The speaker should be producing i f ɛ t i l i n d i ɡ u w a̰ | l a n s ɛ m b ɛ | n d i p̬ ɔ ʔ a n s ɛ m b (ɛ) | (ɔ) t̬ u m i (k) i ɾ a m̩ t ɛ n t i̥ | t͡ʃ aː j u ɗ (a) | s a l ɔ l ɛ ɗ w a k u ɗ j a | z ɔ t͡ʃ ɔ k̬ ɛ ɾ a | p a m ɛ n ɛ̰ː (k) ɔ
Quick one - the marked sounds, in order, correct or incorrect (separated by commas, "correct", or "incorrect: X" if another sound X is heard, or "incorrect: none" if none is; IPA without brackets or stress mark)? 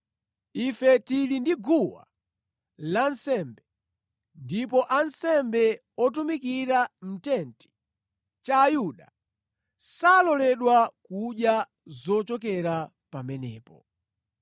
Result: correct, correct, correct, correct, incorrect: p